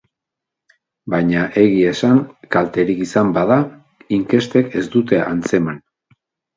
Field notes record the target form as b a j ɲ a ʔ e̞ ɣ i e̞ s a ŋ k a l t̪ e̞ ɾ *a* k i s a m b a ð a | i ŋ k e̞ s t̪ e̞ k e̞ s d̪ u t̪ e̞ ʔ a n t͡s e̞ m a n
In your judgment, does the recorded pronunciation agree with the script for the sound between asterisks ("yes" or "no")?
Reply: no